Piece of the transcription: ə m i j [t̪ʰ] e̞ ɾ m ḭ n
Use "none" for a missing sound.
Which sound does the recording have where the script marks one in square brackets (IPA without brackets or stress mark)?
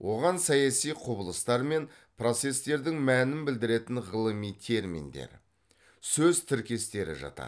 t̪ʰ